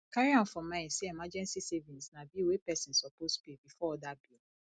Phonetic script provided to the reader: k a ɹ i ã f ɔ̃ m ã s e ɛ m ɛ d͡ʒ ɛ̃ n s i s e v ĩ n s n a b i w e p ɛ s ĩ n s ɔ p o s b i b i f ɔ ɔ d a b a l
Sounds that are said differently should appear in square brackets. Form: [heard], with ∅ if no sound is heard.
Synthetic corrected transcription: k a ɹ i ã f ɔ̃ m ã s e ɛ m [a] d͡ʒ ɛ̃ n s i s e v ĩ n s n a b i w e p ɛ s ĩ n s ɔ p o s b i b i f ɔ ɔ d a b [i] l